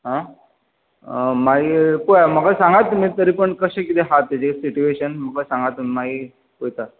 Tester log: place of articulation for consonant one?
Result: glottal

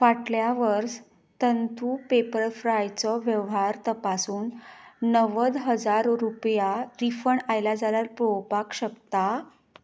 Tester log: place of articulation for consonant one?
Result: labial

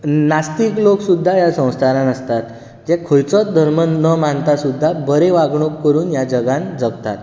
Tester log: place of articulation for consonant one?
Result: alveolar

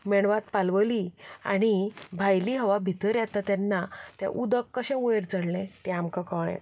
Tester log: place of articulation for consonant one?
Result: labial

